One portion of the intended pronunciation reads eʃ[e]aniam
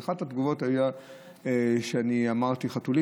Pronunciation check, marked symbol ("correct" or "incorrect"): correct